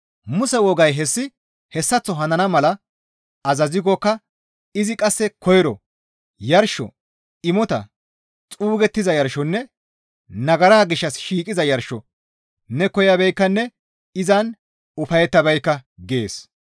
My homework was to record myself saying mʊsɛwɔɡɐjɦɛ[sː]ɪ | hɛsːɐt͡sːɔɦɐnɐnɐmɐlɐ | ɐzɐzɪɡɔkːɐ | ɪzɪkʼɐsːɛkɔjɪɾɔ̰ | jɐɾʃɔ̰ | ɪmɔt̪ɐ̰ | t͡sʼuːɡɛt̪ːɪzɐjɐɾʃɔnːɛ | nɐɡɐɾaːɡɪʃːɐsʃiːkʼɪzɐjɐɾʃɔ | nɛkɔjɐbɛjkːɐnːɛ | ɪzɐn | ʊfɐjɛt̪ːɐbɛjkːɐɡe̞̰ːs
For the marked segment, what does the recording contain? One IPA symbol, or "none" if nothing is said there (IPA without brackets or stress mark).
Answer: sː